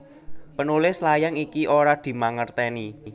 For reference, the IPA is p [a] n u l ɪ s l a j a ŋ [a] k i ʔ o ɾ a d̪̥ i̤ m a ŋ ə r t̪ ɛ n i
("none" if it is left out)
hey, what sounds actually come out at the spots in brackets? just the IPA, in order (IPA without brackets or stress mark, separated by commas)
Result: ə, i